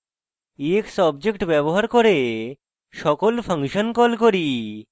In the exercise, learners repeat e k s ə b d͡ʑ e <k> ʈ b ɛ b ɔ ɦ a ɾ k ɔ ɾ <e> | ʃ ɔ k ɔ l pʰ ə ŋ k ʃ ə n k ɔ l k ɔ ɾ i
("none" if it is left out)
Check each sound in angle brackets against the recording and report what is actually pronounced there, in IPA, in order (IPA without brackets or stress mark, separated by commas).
k, e